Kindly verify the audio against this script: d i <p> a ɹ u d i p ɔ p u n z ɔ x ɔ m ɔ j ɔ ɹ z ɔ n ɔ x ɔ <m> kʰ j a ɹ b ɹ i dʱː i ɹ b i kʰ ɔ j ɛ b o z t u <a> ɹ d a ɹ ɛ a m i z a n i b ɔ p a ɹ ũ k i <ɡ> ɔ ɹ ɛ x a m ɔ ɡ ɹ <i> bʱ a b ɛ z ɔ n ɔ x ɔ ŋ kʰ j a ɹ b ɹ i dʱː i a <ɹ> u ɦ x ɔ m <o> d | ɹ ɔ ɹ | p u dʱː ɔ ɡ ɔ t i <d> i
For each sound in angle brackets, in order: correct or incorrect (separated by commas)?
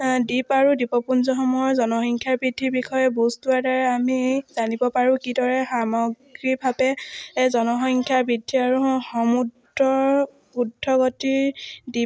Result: correct, incorrect, correct, incorrect, correct, correct, incorrect, correct